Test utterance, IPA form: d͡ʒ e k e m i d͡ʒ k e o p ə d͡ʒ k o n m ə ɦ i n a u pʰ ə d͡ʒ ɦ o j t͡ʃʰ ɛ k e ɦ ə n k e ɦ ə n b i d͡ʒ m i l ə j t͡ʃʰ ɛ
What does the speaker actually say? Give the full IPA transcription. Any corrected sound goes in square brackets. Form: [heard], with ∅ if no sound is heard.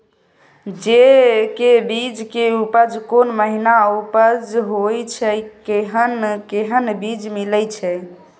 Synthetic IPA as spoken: d͡ʒ e k e [b] i d͡ʒ k e [u] p ə d͡ʒ k o n m ə ɦ i n a u [p] ə d͡ʒ ɦ o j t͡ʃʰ ɛ k e ɦ ə n k e ɦ ə n b i d͡ʒ m i l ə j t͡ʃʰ ɛ